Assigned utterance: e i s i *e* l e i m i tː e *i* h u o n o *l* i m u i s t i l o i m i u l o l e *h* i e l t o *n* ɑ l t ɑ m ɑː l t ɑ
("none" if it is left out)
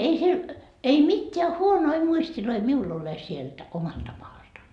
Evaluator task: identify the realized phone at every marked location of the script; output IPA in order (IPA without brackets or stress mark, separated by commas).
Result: e, æ, none, s, m